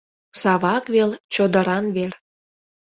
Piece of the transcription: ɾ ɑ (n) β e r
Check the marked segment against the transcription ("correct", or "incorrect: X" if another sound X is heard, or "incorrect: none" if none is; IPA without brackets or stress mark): correct